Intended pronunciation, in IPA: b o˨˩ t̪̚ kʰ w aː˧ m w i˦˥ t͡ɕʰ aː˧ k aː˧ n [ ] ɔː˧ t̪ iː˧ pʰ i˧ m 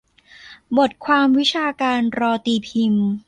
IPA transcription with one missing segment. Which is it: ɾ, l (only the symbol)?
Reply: ɾ